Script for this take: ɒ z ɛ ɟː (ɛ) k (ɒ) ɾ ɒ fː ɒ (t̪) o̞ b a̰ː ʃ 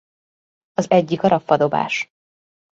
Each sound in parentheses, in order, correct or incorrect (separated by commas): incorrect, correct, incorrect